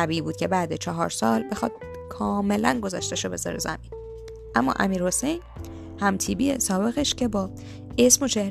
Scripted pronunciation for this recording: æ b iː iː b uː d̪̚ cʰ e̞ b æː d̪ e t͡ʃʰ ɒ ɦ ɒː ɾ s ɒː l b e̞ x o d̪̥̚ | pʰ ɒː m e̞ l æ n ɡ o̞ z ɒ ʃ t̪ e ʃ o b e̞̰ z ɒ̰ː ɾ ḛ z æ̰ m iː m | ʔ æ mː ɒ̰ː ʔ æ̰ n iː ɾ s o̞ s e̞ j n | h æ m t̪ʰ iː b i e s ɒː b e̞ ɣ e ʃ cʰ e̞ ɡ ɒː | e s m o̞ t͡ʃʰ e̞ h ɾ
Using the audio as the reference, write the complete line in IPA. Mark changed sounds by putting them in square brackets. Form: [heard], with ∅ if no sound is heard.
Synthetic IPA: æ b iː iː b uː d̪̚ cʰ e̞ b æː d̪ e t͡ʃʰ ɒ ɦ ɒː ɾ s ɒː l b e̞ x [ɒ] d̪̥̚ | [kʰ] ɒː m e̞ l æ n ɡ o̞ z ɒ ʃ t̪ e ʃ o b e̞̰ z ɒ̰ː ɾ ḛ z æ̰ m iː [n] | ʔ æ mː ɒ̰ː ʔ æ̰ [m] iː ɾ [h] o̞ s e̞ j n | h æ m t̪ʰ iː b i e s ɒː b e̞ ɣ e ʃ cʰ e̞ [b] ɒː | e s m o̞ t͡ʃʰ e̞ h ɾ